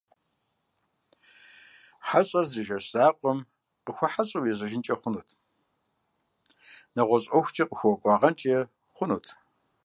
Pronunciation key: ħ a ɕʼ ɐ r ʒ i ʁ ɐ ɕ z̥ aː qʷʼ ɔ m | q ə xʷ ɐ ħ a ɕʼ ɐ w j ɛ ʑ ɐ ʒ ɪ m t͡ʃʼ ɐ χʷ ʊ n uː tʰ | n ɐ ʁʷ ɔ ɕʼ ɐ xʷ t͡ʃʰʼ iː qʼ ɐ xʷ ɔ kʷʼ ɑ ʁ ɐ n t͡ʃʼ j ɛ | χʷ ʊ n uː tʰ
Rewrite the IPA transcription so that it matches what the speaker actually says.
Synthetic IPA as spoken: ħ a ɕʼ ɐ r z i ʒ ɐ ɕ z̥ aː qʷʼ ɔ m | q ə xʷ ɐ ħ a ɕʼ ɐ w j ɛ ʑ ɐ ʒ ɪ n t͡ʃʼ ɐ χʷ ʊ n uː tʰ | n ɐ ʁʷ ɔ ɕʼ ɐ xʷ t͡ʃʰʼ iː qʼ ə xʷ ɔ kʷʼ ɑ ʁ ɐ n t͡ʃʼ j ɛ | χʷ ʊ n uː tʰ